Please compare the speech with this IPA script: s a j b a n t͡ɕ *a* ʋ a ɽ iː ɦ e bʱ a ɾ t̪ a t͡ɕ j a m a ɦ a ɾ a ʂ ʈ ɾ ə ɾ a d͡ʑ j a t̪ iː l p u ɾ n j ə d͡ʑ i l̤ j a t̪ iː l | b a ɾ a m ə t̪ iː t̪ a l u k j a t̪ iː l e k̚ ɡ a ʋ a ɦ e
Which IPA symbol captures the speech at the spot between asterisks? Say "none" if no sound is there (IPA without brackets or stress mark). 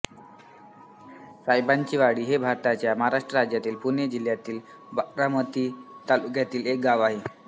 i